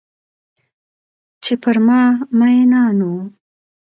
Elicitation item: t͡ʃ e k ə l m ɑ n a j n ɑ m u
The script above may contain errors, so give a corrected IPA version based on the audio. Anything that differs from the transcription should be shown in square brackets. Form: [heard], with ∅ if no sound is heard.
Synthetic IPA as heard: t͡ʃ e [p] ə [ɾ] m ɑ [m] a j n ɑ [n] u

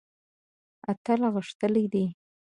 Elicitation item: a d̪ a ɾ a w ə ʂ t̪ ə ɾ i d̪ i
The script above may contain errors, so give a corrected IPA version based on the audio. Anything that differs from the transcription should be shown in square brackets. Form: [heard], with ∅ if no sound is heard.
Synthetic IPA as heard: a [t̪] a [l] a [ɣ] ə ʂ t̪ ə [l] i d̪ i

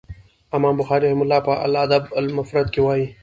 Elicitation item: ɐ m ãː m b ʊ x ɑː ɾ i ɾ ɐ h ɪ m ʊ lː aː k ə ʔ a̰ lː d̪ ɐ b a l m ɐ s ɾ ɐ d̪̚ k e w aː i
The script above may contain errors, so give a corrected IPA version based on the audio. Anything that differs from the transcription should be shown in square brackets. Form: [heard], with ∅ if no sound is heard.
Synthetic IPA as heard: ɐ m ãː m b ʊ x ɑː ɾ i ɾ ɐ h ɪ m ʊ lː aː [p] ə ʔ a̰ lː d̪ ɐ b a l m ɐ [f] ɾ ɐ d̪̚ k e w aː i

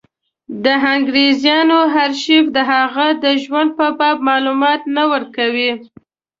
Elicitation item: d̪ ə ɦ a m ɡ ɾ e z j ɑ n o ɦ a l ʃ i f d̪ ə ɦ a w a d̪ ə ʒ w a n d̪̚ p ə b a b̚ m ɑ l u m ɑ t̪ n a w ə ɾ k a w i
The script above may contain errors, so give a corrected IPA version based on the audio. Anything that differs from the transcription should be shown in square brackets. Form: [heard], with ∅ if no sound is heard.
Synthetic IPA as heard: d̪ ə ɦ a [ŋ] ɡ ɾ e z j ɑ n o ɦ a [ɾ] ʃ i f d̪ ə ɦ a [ɣ] a d̪ ə ʒ w a n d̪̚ p ə b [ɑ] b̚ m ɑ l u m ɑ t̪ n a w ə ɾ k a w i

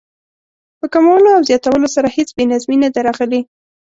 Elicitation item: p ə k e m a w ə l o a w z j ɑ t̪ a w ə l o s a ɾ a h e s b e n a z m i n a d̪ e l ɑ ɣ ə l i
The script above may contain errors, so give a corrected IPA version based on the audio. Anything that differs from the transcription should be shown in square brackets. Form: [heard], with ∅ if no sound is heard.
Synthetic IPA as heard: p ə k [a] m a w ə l o a w z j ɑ t̪ a w ə l o s a ɾ a h e [t͡s] b e n a z m i n a d̪ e [ɾ] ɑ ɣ ə l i

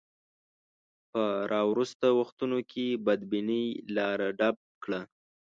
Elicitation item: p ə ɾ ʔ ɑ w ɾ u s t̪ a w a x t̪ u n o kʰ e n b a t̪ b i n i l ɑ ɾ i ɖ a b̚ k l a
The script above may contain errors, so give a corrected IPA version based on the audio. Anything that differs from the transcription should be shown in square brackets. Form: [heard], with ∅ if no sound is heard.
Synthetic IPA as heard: p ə ɾ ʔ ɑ w ɾ u s t̪ a w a x t̪ u n o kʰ e [∅] b a [d̪] b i n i l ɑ ɾ [a] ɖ a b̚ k [ɽ] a

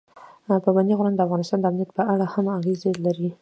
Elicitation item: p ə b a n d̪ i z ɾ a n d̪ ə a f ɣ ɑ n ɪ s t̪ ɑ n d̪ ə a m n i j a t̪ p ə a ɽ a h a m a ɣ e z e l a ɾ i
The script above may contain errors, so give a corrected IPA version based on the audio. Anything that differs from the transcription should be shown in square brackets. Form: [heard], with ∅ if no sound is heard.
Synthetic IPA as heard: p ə b a n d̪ i [ɣ] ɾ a n d̪ ə a f ɣ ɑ n ɪ s t̪ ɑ n d̪ ə a m n i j a t̪ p ə a ɽ a h a m a ɣ e z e l a ɾ i

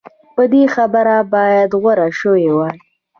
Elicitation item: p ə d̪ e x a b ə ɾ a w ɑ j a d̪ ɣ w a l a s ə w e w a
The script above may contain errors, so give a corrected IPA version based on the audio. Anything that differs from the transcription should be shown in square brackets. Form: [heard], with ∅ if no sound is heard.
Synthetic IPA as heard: p ə d̪ e x a b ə ɾ a [b] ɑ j a d̪ ɣ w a [ɾ] a [ʃ] ə w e w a

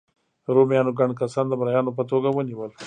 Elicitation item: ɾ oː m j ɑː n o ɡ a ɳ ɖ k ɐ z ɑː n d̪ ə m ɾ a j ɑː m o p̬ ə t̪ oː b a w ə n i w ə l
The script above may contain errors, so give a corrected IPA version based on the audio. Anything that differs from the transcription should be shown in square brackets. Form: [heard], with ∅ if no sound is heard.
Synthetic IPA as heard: ɾ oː m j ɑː n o ɡ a ɳ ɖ k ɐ [s] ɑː n d̪ ə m ɾ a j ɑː [n] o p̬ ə t̪ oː [ɡ] a w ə n i w ə l

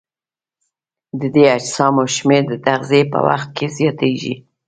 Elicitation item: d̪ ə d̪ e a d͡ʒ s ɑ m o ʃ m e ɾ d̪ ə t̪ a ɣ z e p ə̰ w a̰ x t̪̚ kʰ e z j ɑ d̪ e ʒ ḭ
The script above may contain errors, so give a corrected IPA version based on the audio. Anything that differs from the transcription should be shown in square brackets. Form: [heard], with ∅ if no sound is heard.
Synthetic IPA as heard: d̪ ə d̪ e a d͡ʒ s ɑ m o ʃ m e ɾ d̪ ə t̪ a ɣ z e p ə̰ w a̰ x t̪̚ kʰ e z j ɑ [t̪] e ʒ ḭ

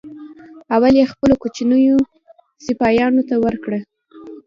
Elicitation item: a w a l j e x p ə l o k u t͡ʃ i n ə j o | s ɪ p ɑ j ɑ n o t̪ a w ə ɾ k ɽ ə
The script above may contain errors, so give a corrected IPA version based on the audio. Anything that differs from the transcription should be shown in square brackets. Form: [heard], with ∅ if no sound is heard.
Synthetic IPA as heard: a w a l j e x p ə l o k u t͡ʃ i n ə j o | s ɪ p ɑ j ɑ n o t̪ a w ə ɾ k ɽ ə

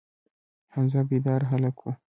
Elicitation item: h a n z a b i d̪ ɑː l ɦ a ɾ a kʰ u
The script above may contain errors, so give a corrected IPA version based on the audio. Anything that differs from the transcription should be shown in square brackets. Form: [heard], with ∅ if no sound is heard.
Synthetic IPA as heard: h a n z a b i d̪ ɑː [ɾ] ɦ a [l] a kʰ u

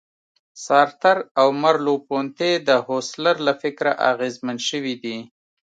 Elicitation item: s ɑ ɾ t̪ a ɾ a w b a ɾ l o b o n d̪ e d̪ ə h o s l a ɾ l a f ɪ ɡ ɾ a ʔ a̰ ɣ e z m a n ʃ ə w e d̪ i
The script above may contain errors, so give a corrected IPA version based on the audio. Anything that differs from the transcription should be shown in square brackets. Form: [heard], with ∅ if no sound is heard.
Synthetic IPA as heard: s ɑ ɾ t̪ a ɾ a w [m] a ɾ l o [p] o n [t̪] e d̪ ə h o s l a ɾ l a f ɪ [k] ɾ a ʔ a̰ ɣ e z m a n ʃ ə w [i] d̪ i

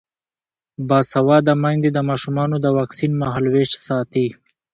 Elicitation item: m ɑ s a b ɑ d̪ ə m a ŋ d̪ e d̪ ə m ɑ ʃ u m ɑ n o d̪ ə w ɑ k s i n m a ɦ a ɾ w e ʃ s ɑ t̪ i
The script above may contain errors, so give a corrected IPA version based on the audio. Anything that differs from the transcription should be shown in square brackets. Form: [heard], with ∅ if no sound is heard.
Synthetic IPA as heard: [b] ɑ s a [w] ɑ d̪ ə m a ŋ d̪ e d̪ ə m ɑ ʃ u m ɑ n o d̪ ə w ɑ k s i n m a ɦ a [l] w e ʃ s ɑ t̪ i

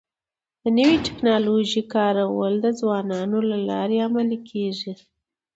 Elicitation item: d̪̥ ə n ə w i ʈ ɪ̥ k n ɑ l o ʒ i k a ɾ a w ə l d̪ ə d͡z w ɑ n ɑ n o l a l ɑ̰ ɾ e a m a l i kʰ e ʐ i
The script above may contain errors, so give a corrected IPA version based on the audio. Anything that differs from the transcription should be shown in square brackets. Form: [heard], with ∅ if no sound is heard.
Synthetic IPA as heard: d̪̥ ə n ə w i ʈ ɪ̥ k n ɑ l o ʒ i k [ɑ] ɾ a w ə l d̪ ə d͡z w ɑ n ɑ n o l a l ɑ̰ ɾ e a m a l i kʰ e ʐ i

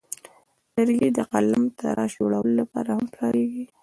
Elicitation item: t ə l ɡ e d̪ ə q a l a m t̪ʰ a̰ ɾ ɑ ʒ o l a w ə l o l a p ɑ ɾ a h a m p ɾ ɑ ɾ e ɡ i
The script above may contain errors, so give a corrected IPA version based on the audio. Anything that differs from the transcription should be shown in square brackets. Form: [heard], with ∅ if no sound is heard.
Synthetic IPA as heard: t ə [ɾ] ɡ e d̪ ə q a l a m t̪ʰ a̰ ɾ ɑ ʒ o [ɽ] a w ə l o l a p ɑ ɾ a h a m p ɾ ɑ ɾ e ɡ i

